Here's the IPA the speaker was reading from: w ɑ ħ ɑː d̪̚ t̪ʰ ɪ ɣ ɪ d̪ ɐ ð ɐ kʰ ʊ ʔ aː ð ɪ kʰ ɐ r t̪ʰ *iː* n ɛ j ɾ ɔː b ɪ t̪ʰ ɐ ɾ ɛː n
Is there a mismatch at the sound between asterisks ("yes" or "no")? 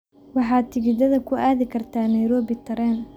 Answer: yes